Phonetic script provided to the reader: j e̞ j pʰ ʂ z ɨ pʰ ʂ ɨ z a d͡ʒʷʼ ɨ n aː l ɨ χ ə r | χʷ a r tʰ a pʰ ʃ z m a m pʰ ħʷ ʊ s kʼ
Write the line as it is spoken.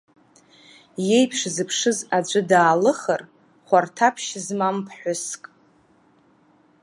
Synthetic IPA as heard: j e̞ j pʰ ʂ z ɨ pʰ ʂ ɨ z a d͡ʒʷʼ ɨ d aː l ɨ χ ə r | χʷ a r tʰ a pʰ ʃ z m a m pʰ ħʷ ʊ s kʼ